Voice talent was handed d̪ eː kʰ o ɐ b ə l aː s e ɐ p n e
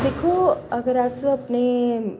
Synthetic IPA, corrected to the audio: d̪ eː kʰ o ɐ ɡ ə ɾ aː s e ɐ p n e